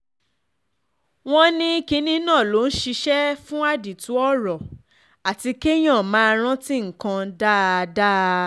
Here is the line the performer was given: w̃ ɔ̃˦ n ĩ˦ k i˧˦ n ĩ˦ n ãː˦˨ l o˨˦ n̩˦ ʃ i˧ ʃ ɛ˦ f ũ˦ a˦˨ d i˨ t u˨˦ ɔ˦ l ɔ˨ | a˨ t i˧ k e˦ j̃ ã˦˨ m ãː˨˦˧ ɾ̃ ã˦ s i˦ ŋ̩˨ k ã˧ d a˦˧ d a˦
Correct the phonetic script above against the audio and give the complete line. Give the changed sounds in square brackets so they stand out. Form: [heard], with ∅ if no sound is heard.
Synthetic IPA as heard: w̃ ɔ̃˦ n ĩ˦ k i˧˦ n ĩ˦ n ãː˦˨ l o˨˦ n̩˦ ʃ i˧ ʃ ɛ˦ f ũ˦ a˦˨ d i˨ t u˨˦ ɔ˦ [ɾ] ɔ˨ | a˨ t i˧ k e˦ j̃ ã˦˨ m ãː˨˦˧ ɾ̃ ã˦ [t] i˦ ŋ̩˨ k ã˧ d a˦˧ d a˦